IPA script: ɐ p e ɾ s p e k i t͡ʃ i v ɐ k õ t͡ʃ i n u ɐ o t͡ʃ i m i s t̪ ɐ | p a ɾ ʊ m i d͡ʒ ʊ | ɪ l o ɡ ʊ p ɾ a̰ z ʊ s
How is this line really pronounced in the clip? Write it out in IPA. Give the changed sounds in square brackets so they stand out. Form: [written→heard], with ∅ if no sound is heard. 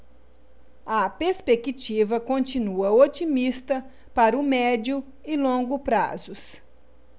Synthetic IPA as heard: ɐ p e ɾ s p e k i t͡ʃ i v ɐ k õ t͡ʃ i n u ɐ o t͡ʃ i m i s t̪ ɐ | p a ɾ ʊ m [i→ɛ] d͡ʒ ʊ | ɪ l [o→õ] ɡ ʊ p ɾ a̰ z ʊ s